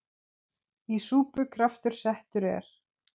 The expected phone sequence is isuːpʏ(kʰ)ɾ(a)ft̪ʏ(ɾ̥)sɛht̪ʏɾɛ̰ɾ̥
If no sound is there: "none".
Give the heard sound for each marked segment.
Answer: kʰ, a, ɾ̥

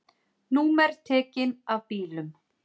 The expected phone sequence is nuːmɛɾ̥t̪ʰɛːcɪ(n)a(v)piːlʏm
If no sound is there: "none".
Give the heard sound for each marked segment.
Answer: n, v

